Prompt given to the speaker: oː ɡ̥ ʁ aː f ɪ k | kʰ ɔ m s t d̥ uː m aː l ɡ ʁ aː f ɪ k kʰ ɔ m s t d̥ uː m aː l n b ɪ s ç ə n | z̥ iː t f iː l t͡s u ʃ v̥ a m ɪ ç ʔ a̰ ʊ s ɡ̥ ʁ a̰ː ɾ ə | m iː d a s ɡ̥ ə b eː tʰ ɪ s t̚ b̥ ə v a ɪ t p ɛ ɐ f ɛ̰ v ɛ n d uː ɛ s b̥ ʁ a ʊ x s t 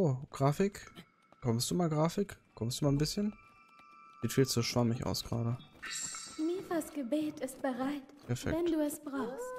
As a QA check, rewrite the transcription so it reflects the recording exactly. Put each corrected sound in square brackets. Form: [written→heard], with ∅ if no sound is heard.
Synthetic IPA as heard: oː ɡ̥ ʁ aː f ɪ k | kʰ ɔ m s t d̥ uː m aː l ɡ ʁ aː f ɪ k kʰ ɔ m s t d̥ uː m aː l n b ɪ s ç ə n | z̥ iː t f iː l t͡s u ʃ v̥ a m ɪ ç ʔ a̰ ʊ s ɡ̥ ʁ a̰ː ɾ ə | m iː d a s ɡ̥ ə b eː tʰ ɪ s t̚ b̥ ə [v→ʁ] a ɪ t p ɛ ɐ f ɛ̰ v ɛ n d uː ɛ s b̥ ʁ a ʊ x s t